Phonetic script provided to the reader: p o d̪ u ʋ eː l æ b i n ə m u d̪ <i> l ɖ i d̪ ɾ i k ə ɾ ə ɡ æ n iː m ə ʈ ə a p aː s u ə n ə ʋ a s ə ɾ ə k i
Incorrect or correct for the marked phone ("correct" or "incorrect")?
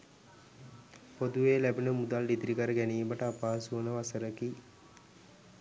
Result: incorrect